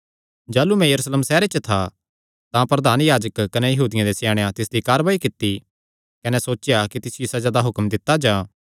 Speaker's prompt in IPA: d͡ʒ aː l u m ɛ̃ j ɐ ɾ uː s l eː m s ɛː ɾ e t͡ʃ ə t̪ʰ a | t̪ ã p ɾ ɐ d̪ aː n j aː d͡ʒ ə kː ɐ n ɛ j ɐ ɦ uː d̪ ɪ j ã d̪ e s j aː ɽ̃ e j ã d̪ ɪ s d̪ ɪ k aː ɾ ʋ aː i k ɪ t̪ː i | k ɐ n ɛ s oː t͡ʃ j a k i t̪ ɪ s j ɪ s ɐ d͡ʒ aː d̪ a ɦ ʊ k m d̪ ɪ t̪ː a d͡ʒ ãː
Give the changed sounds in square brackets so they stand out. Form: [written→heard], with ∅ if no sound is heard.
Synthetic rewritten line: d͡ʒ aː l u m ɛ̃ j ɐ ɾ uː s l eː m s ɛː ɾ e t͡ʃ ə t̪ʰ a | t̪ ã p ɾ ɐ d̪ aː n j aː d͡ʒ ə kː ɐ n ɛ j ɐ ɦ uː d̪ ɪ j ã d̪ e s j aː ɽ̃ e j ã [d̪→t̪] ɪ s d̪ [ɪ→i] k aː ɾ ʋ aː i k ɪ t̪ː i | k ɐ n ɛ s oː t͡ʃ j a k i t̪ ɪ s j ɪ s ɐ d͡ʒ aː d̪ a ɦ ʊ k m d̪ ɪ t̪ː a d͡ʒ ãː

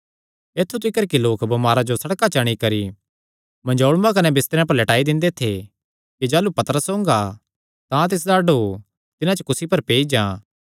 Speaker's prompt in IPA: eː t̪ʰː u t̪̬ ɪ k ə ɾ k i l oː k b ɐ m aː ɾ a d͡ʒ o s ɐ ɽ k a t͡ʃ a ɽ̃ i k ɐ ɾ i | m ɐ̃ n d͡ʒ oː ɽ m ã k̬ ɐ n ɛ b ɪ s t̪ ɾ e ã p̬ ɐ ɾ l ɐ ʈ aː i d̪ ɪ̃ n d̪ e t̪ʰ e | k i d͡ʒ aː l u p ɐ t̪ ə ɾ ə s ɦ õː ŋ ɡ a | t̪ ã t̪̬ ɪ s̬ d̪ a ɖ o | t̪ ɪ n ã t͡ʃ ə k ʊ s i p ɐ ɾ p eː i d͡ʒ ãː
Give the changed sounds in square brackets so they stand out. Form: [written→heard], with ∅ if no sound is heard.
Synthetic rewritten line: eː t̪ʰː u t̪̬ ɪ k ə ɾ k i l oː k b ɐ m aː ɾ a d͡ʒ o s ɐ ɽ k a t͡ʃ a ɽ̃ i k ɐ ɾ i | m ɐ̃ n d͡ʒ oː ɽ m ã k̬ ɐ n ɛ b ɪ s t̪ ɾ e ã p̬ ɐ ɾ l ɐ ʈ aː i d̪ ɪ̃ n d̪ e t̪ʰ e | k i d͡ʒ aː l u p ɐ t̪ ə ɾ ə s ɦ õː ŋ ɡ a | t̪ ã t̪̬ ɪ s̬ d̪ a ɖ o | t̪ ɪ n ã t͡ʃ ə k ʊ s i p ɐ ɾ p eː i d͡ʒ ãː

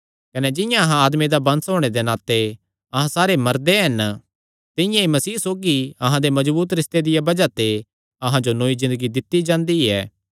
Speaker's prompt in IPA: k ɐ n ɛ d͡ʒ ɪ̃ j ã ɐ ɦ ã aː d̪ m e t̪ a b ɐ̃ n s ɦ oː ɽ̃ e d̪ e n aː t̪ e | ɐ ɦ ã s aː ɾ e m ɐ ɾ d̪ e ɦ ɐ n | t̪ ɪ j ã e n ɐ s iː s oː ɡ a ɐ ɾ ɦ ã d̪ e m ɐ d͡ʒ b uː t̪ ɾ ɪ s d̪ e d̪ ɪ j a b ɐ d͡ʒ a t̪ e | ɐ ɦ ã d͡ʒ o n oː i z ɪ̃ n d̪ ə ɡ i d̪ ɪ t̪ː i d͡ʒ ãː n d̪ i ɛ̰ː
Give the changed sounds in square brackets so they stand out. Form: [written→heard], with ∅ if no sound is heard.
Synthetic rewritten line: k ɐ n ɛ d͡ʒ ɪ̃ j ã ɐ ɦ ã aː d̪ m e [t̪→d̪] a b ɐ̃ n s ɦ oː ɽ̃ e d̪ e n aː t̪ e | ɐ ɦ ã s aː ɾ e m ɐ ɾ d̪ e ɦ ɐ n | t̪ ɪ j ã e [n→m] ɐ s iː s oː ɡ [a→i] ɐ [ɾ→∅] ɦ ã d̪ e m ɐ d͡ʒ b uː t̪ ɾ ɪ s [d̪→t̪] e d̪ ɪ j a b ɐ d͡ʒ a t̪ e | ɐ ɦ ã d͡ʒ o n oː i z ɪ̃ n d̪ ə ɡ i d̪ ɪ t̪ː i d͡ʒ ãː n d̪ i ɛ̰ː

